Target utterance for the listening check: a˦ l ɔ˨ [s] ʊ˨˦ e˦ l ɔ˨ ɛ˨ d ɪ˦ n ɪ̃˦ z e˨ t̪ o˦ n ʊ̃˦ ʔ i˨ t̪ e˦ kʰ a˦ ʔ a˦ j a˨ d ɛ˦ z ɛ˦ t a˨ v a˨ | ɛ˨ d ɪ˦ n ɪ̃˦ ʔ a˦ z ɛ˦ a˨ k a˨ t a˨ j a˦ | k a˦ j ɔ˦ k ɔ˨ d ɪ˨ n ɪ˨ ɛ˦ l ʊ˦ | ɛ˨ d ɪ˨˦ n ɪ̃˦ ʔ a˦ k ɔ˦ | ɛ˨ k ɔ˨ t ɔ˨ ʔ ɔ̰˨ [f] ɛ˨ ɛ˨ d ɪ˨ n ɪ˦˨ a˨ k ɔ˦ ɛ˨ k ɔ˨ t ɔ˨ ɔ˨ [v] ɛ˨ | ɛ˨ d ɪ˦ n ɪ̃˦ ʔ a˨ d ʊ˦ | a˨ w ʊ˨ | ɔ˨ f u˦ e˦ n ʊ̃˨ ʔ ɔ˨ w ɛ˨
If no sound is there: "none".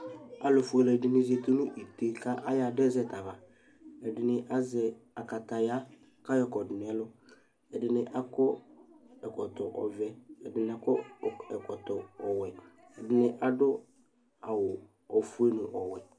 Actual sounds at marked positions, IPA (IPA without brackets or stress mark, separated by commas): f, v, w